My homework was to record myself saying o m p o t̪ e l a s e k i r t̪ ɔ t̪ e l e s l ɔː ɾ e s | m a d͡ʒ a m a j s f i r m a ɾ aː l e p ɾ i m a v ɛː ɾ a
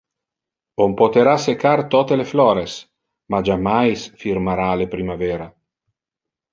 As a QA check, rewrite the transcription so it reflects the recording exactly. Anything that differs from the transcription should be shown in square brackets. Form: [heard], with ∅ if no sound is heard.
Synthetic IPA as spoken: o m p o t̪ e [ɾ] a s e k [a] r t̪ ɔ t̪ e l e [f] l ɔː ɾ e s | m a d͡ʒ a m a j s f i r m a ɾ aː l e p ɾ i m a v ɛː ɾ a